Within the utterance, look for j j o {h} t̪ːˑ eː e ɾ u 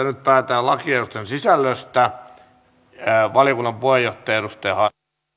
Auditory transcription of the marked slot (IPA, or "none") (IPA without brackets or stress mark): h